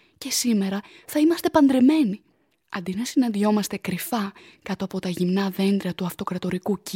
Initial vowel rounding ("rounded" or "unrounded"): unrounded